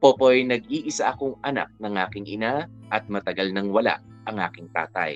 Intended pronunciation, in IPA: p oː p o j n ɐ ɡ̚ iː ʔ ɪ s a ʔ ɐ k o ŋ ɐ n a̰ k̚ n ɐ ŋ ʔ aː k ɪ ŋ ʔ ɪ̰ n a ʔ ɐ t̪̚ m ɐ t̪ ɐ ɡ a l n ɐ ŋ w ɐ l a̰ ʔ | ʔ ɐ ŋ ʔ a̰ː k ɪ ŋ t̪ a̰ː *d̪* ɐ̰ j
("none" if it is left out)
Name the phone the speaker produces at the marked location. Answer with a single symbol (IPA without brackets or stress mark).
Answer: t̪